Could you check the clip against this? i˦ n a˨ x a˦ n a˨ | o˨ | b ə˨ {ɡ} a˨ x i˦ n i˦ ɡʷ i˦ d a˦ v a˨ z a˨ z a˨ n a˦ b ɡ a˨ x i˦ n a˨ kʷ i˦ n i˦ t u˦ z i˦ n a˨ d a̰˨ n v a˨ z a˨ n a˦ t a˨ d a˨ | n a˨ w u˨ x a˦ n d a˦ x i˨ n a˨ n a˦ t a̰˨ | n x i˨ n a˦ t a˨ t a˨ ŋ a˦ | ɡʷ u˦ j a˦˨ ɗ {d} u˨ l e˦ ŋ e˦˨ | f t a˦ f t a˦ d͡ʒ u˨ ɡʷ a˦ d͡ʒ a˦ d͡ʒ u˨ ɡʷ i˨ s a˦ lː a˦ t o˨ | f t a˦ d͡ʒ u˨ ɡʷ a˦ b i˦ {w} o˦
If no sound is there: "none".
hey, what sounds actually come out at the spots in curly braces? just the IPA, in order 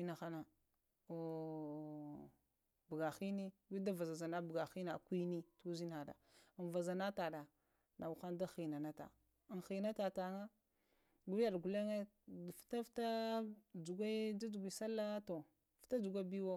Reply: ɡ, ɡ, w

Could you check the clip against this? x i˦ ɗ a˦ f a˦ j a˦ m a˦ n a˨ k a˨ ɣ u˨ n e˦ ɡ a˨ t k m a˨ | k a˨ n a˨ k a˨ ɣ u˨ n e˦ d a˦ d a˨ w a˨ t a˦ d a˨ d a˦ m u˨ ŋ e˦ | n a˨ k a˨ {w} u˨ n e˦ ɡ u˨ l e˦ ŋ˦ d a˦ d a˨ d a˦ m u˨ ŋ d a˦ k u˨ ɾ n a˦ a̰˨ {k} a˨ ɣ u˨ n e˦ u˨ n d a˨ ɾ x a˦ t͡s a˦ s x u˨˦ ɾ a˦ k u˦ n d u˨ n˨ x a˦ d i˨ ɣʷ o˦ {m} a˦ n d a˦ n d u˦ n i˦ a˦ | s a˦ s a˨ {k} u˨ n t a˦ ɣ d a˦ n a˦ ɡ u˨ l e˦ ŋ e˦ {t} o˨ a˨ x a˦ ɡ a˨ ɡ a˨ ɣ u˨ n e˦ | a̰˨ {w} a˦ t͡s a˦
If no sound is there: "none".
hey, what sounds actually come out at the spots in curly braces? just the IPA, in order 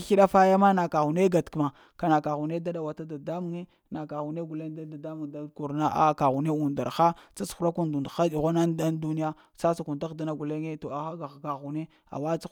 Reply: ɣ, k, n, k, t, w

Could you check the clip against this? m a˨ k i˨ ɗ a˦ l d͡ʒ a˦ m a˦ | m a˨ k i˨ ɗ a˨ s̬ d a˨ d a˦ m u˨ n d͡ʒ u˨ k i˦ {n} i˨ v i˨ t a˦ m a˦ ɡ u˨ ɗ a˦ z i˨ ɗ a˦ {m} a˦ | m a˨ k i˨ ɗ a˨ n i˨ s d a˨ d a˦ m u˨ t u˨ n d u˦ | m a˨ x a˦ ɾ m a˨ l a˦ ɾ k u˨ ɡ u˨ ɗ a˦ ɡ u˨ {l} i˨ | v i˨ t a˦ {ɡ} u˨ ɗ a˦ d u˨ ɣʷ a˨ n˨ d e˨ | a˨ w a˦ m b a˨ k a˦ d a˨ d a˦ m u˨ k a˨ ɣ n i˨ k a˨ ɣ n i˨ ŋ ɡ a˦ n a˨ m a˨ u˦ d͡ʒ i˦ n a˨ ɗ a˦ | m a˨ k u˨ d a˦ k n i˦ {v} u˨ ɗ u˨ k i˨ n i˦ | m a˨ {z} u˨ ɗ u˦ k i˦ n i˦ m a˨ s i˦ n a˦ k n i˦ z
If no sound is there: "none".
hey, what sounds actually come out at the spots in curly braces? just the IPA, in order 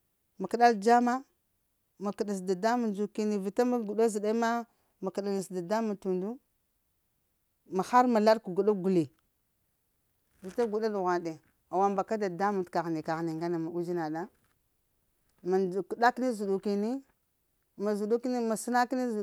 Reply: n, m, l, ɡ, z, z

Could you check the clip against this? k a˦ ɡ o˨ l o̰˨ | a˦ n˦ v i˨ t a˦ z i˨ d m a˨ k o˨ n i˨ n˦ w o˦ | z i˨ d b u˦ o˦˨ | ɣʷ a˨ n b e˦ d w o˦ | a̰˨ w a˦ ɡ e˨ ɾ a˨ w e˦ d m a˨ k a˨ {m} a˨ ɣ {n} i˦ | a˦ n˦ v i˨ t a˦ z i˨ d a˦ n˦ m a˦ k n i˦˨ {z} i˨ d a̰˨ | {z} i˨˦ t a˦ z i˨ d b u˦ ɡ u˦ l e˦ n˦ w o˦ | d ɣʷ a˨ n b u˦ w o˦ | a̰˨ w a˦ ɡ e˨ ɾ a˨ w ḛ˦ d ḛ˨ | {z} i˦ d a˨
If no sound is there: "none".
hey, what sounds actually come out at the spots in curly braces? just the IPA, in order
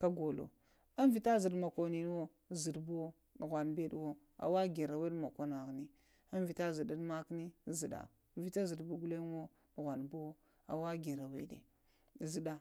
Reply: n, n, z, v, z

